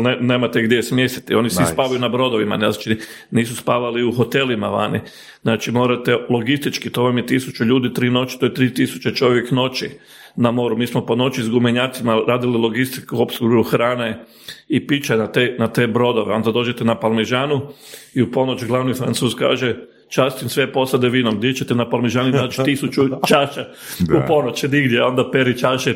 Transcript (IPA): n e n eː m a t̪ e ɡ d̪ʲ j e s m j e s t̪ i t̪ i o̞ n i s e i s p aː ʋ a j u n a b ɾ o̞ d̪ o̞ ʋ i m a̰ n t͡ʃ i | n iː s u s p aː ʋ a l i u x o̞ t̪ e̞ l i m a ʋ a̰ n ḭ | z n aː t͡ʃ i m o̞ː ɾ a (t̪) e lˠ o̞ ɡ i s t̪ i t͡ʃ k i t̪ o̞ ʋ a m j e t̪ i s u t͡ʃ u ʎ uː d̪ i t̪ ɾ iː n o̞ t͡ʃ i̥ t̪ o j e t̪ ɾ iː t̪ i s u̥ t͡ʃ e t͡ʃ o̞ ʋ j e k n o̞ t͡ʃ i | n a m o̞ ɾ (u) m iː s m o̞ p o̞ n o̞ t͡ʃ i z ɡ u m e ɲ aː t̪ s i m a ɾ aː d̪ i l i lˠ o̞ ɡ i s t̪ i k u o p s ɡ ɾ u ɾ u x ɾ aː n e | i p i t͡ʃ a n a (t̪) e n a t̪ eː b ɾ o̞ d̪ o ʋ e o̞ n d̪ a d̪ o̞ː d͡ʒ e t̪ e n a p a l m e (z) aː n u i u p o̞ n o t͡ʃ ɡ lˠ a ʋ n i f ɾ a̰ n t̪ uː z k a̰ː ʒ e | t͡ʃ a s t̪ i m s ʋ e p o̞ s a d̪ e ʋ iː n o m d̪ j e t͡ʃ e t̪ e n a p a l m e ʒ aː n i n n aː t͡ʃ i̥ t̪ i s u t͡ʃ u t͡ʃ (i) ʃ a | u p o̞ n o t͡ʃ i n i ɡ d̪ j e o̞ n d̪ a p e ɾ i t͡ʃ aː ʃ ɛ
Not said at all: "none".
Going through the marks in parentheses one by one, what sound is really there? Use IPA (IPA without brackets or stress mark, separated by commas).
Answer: t̪, u, t̪, ʒ, a